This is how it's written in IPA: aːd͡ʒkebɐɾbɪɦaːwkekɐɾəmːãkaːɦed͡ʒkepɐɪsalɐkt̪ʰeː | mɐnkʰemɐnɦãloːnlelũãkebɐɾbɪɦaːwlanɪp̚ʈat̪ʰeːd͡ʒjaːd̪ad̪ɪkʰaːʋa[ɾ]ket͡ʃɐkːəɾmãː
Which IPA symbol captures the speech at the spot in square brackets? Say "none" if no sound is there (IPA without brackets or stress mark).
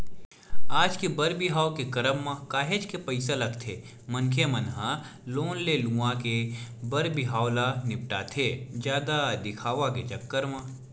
none